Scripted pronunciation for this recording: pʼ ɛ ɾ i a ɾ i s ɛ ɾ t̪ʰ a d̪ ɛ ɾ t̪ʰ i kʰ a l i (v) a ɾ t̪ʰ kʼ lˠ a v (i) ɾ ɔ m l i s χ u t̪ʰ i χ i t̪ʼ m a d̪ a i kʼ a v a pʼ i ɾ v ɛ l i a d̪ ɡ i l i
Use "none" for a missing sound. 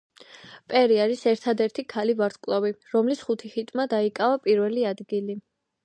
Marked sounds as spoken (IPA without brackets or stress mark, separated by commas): v, i